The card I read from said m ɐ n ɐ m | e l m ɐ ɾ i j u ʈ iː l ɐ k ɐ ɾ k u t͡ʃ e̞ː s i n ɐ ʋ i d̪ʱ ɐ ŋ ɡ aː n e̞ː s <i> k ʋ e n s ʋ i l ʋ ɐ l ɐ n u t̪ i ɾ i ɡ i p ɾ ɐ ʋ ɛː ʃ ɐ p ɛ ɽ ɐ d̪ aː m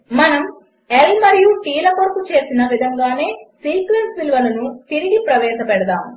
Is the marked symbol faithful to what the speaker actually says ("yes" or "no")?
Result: no